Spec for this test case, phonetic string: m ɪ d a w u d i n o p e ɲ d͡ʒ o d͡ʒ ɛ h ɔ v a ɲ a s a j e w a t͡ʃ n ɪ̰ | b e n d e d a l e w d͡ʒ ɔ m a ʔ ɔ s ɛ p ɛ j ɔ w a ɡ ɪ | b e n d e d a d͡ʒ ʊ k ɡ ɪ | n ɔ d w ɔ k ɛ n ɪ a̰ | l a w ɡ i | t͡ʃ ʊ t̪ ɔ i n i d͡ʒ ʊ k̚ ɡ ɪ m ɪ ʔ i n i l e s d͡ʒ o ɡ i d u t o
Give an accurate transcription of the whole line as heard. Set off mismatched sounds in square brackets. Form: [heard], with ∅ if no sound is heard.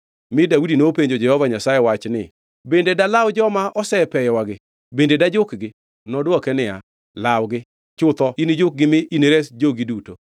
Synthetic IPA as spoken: m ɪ d a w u d i n o p e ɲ d͡ʒ o d͡ʒ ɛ h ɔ v a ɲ a s a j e w a t͡ʃ n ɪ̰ | b e n d e d a l [a] w d͡ʒ ɔ m a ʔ ɔ s ɛ p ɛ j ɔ w a ɡ ɪ | b e n d e d a d͡ʒ ʊ k ɡ ɪ | n ɔ d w ɔ k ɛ n ɪ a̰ | l a w ɡ [ɪ] | t͡ʃ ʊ t̪ ɔ i n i d͡ʒ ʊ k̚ ɡ ɪ m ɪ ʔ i n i [ɾ] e s d͡ʒ o ɡ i d u t o